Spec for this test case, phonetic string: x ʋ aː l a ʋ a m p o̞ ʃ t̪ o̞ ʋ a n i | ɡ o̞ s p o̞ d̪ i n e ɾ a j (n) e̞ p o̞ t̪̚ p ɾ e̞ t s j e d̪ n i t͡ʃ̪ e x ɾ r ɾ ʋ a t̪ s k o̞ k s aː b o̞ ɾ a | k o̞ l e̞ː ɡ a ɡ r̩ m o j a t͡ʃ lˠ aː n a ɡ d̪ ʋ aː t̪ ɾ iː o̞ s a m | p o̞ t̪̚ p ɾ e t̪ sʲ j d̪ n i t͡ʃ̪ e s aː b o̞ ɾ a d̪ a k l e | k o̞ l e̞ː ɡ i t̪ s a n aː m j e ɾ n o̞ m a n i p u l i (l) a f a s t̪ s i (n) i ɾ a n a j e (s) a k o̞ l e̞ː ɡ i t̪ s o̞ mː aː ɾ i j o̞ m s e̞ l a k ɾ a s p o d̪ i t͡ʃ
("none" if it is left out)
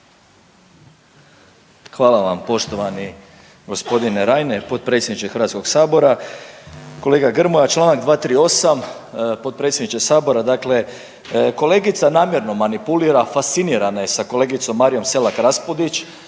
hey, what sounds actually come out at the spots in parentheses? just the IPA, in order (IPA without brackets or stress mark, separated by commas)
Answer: n, ɾ, n, s